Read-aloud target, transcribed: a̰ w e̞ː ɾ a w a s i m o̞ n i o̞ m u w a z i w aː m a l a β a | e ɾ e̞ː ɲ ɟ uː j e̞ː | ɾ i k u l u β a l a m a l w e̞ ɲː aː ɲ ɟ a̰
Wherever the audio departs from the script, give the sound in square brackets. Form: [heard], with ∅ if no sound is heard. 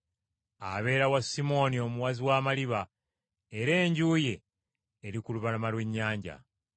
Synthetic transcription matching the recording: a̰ [β] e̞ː ɾ a w a s i m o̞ n i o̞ m u w a z i w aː m a l [i] β a | e ɾ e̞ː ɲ ɟ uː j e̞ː | ɾ i k u l u β a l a m a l w e̞ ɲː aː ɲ ɟ a̰